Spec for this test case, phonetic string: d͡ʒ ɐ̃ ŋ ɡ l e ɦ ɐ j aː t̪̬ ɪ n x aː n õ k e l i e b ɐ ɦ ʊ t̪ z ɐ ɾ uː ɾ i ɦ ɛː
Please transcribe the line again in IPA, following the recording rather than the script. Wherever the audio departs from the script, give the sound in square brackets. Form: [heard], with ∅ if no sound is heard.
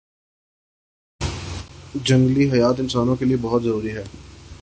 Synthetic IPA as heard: d͡ʒ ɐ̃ ŋ ɡ l [i] ɦ ɐ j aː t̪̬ ɪ n [s] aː n õ k e l i e b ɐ ɦ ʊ t̪ z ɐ ɾ uː ɾ i ɦ ɛː